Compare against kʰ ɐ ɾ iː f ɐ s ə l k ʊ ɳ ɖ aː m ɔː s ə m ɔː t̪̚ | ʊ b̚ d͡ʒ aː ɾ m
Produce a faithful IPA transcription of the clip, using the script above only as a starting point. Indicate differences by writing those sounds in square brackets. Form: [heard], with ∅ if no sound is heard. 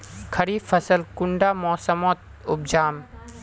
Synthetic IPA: kʰ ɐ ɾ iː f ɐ s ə l k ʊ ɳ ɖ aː m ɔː s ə m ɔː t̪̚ | ʊ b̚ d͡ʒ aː [∅] m